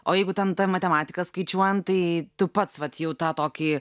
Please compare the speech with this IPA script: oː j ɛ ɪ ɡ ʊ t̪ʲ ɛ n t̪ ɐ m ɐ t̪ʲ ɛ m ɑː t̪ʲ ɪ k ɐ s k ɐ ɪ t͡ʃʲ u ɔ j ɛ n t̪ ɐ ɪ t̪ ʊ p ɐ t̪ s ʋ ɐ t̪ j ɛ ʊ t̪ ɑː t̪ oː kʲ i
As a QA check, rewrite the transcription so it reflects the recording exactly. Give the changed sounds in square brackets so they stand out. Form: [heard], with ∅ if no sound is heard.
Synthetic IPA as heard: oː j ɛ ɪ ɡ ʊ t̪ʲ ɛ n t̪ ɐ m ɐ t̪ʲ ɛ m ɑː t̪ʲ ɪ k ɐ s k ɐ ɪ t͡ʃʲ u ɔ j ɛ n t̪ ɐ ɪ t̪ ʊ p ɐ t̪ s ʋ ɐ t̪ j ɛ ʊ t̪ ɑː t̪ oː kʲ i

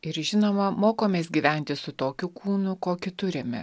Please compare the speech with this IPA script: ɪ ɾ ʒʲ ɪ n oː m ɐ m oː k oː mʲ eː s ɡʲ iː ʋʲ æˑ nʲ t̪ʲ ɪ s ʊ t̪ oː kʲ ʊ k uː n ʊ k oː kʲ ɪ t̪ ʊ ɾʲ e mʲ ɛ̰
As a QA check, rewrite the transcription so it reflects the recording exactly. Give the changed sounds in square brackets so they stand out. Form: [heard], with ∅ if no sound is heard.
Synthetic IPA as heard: ɪ ɾ ʒʲ ɪ n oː m ɐ m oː k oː mʲ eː s ɡʲ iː ʋʲ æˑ nʲ t̪ʲ ɪ s ʊ t̪ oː kʲ ʊ k uː n ʊ k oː kʲ ɪ t̪ ʊ ɾʲ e mʲ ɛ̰

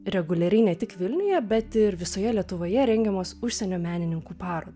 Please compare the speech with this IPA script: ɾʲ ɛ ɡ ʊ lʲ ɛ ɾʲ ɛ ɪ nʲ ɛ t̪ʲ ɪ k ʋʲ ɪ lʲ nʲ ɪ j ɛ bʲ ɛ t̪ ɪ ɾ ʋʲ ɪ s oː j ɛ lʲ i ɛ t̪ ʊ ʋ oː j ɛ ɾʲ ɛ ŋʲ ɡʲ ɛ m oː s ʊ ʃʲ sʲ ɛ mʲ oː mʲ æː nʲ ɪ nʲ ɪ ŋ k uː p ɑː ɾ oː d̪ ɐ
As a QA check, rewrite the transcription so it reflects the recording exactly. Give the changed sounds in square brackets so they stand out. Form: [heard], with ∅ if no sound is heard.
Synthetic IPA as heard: ɾʲ ɛ ɡ ʊ lʲ ɛ ɾʲ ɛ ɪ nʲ ɛ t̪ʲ ɪ k ʋʲ ɪ lʲ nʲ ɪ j ɛ bʲ ɛ t̪ ɪ ɾ ʋʲ ɪ s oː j ɛ lʲ i ɛ t̪ ʊ ʋ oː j ɛ ɾʲ ɛ ŋʲ ɡʲ ɛ m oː s ʊ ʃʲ sʲ ɛ [nʲ] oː mʲ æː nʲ ɪ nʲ ɪ ŋ k uː p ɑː ɾ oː d̪ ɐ

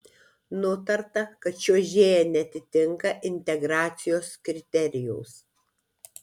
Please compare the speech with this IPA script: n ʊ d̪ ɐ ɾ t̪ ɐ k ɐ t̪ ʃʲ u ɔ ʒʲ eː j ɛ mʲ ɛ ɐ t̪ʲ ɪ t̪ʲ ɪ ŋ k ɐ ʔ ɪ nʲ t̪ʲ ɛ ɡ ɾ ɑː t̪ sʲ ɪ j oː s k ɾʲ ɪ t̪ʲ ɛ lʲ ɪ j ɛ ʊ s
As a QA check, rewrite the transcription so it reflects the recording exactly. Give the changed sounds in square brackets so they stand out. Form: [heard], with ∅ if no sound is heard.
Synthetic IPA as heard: n ʊ [t̪] ɐ ɾ t̪ ɐ k ɐ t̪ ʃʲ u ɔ ʒʲ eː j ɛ [nʲ] ɛ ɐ t̪ʲ ɪ t̪ʲ ɪ ŋ k ɐ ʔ ɪ nʲ t̪ʲ ɛ ɡ ɾ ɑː t̪ sʲ ɪ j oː s k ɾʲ ɪ t̪ʲ ɛ [ɾʲ] ɪ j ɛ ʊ s

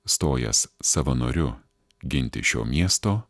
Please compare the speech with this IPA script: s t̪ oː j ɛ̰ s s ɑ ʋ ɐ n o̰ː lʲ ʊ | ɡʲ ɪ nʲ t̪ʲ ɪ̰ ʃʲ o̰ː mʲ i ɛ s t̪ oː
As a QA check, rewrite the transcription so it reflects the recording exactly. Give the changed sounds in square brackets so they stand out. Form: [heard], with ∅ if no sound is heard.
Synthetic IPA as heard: s t̪ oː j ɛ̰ s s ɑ ʋ ɐ n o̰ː [ɾʲ] ʊ | ɡʲ ɪ nʲ t̪ʲ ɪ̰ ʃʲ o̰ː mʲ i ɛ s t̪ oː

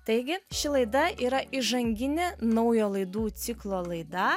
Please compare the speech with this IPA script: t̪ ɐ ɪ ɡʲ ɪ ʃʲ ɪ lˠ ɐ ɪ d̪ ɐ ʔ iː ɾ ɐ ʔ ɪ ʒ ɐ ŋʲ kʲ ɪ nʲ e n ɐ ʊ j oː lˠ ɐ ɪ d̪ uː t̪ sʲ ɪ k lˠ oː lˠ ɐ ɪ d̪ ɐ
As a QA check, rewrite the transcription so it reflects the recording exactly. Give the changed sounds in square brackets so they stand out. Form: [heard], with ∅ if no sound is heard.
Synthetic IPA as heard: t̪ ɐ ɪ ɡʲ ɪ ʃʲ ɪ lˠ ɐ ɪ d̪ ɐ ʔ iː ɾ ɐ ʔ ɪ ʒ ɐ ŋʲ [ɡʲ] ɪ nʲ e n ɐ ʊ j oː lˠ ɐ ɪ d̪ uː t̪ sʲ ɪ k lˠ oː lˠ ɐ ɪ d̪ ɐ

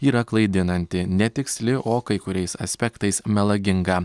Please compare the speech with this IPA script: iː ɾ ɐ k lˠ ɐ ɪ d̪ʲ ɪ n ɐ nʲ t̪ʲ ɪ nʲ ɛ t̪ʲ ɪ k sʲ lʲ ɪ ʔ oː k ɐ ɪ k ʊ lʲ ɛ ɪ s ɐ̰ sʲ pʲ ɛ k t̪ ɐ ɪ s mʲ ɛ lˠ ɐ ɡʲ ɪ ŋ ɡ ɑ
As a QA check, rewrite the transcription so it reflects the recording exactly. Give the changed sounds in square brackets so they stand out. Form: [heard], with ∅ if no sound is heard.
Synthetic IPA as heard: iː ɾ ɐ k lˠ ɐ ɪ d̪ʲ ɪ n ɐ nʲ t̪ʲ ɪ nʲ ɛ t̪ʲ ɪ k sʲ lʲ ɪ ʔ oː k ɐ ɪ k ʊ [ɾʲ] ɛ ɪ s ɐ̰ sʲ pʲ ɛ k t̪ ɐ ɪ s mʲ ɛ lˠ ɐ ɡʲ ɪ ŋ ɡ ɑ

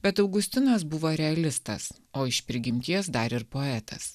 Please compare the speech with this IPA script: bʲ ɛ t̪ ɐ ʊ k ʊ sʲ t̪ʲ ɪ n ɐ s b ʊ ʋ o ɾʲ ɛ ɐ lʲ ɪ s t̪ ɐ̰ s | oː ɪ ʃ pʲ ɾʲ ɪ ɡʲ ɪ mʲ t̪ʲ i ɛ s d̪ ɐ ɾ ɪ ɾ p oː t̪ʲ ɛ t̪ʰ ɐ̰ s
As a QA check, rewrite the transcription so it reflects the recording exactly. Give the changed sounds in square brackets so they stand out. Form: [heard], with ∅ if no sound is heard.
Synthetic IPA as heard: bʲ ɛ t̪ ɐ ʊ [ɡ] ʊ sʲ t̪ʲ ɪ n ɐ s b ʊ ʋ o ɾʲ ɛ ɐ lʲ ɪ s t̪ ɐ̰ s | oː ɪ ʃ pʲ ɾʲ ɪ ɡʲ ɪ mʲ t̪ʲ i ɛ s d̪ ɐ ɾ ɪ ɾ p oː [∅] ɛ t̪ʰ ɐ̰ s

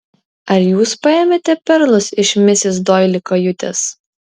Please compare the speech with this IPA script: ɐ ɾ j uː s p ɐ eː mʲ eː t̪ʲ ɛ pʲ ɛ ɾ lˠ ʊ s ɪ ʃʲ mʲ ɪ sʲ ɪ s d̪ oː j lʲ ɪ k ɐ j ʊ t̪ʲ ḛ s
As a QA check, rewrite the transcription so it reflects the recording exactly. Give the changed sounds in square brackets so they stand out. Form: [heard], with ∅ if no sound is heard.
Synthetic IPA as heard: ɐ ɾ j uː s p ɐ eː mʲ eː t̪ʲ ɛ pʲ ɛ ɾ lˠ ʊ s ɪ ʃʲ mʲ ɪ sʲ ɪ s d̪ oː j lʲ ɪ k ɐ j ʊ t̪ʲ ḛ s

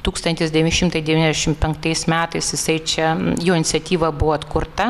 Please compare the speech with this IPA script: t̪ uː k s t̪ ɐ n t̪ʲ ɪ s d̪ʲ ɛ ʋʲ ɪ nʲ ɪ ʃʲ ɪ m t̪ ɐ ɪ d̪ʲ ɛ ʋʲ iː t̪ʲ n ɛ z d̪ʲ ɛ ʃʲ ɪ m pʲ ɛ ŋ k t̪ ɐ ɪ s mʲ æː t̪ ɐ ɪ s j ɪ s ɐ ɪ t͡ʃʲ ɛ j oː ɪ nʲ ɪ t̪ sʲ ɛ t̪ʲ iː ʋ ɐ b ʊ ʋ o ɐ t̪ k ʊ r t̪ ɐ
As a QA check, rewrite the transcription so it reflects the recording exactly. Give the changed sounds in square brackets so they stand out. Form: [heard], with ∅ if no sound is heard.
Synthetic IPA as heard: t̪ uː k s t̪ ɐ n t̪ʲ ɪ s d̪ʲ ɛ ʋʲ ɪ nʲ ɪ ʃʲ ɪ m t̪ ɐ ɪ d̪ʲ ɛ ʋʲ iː [∅] n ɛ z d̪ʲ ɛ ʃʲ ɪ m pʲ ɛ ŋ k t̪ ɐ ɪ s mʲ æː t̪ ɐ ɪ s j ɪ s ɐ ɪ t͡ʃʲ ɛ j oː ɪ nʲ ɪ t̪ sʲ ɛ t̪ʲ iː ʋ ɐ b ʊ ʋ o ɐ t̪ k ʊ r t̪ ɐ

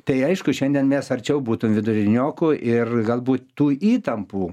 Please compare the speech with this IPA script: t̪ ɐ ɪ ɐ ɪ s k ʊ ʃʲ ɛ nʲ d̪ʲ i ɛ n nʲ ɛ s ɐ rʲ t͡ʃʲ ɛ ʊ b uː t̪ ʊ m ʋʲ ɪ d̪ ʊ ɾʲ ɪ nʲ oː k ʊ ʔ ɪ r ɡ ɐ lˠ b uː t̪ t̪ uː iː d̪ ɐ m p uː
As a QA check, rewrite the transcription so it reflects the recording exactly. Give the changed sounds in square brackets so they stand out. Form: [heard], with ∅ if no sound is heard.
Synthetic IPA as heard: t̪ ɐ ɪ ɐ ɪ [ʃ] k ʊ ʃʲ ɛ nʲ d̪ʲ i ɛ n [mʲ] ɛ s ɐ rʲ t͡ʃʲ ɛ ʊ b uː t̪ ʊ m ʋʲ ɪ d̪ ʊ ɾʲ ɪ nʲ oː k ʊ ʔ ɪ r ɡ ɐ lˠ b uː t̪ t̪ uː iː [t̪] ɐ m p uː

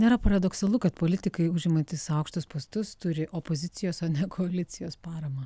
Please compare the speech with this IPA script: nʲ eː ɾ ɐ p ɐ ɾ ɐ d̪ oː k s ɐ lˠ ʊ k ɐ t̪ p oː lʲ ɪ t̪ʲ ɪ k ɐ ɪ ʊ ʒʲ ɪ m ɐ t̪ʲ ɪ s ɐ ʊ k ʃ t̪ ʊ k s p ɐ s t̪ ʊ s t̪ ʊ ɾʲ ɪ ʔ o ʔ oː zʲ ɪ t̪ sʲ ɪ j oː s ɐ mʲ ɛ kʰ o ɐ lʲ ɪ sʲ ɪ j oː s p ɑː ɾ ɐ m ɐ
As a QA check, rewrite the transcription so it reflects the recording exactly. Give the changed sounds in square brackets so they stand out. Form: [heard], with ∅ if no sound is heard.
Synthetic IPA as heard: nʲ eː ɾ ɐ p ɐ ɾ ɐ d̪ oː k s ɐ lˠ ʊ k ɐ t̪ p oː lʲ ɪ t̪ʲ ɪ k ɐ ɪ ʊ ʒʲ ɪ m ɐ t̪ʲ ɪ s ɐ ʊ k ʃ t̪ ʊ [∅] s p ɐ s t̪ ʊ s t̪ ʊ ɾʲ ɪ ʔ o [p] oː zʲ ɪ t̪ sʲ ɪ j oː s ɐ [nʲ] ɛ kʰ o ɐ lʲ ɪ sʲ ɪ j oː s p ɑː ɾ ɐ m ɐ

